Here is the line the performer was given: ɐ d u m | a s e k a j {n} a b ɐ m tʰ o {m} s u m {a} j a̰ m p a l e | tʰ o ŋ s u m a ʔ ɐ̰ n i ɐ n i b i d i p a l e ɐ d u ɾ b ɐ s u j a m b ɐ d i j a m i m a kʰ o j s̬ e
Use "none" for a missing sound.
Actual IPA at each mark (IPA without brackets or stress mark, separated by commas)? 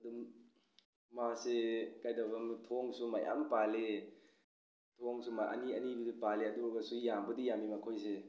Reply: d, ŋ, a